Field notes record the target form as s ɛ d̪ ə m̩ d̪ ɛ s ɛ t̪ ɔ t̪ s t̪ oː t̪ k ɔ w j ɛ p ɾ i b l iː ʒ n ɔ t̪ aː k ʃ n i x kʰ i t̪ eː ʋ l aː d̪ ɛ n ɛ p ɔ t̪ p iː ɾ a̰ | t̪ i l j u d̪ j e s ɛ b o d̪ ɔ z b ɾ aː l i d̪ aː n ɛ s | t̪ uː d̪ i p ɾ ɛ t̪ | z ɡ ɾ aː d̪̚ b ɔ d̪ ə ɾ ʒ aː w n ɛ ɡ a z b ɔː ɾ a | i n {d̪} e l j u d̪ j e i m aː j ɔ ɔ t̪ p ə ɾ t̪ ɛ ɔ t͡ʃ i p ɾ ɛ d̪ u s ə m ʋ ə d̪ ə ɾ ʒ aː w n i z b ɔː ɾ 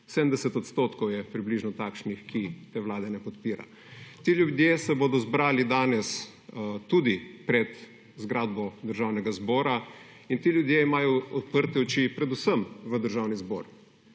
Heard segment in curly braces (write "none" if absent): t̪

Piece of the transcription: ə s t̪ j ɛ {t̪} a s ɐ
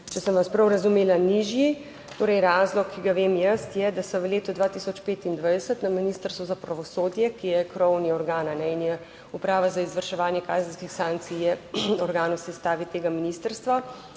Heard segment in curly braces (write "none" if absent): d̪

